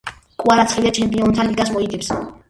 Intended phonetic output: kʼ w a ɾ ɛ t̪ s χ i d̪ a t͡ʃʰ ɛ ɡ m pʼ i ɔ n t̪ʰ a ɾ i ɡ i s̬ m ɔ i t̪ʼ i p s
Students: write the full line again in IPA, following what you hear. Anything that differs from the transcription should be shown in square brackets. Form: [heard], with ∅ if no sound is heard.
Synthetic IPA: kʼ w a ɾ [a] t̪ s χ i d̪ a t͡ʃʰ ɛ [∅] m pʼ i ɔ n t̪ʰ a [l] i ɡ [a] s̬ m ɔ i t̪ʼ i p s